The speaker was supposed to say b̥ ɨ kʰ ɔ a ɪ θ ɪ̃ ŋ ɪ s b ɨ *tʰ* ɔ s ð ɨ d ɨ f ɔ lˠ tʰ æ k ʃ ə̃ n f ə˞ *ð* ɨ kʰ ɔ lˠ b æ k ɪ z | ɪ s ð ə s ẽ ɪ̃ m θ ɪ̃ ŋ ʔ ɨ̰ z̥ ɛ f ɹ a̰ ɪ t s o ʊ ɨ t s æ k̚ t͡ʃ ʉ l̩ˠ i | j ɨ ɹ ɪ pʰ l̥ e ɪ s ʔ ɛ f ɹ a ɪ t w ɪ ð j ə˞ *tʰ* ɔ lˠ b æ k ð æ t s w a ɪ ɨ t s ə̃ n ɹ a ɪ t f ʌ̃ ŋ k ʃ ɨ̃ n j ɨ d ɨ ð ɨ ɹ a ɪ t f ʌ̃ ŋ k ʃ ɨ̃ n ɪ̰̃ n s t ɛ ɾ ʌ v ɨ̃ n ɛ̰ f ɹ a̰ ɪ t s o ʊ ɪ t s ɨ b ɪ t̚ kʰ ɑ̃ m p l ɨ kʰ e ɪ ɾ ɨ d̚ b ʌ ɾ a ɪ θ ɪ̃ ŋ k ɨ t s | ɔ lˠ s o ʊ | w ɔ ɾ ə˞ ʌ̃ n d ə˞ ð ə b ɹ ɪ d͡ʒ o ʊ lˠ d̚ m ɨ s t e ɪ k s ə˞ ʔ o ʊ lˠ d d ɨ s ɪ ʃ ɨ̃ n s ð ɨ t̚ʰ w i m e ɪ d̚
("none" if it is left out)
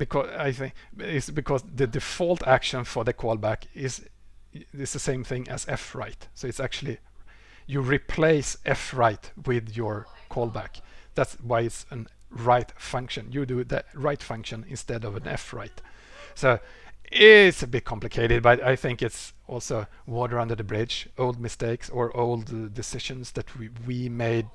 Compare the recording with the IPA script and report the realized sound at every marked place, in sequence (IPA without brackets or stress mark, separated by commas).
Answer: kʰ, ð, kʰ